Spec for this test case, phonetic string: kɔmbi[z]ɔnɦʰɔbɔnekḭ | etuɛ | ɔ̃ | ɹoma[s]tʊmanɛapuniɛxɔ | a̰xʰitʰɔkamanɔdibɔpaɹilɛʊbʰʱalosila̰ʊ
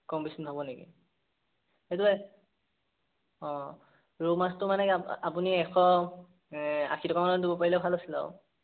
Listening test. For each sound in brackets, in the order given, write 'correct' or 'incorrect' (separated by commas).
incorrect, correct